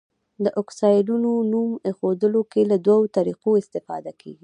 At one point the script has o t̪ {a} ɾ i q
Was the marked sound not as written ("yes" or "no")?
no